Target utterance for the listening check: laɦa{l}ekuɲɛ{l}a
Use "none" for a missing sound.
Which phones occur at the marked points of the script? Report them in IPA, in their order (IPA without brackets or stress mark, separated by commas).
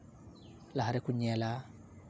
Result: ɾ, l